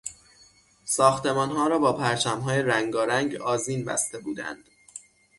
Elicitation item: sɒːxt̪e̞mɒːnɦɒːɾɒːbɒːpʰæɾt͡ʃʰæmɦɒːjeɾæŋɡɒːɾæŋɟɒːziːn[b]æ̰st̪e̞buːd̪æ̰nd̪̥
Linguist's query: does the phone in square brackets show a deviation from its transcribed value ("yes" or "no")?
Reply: no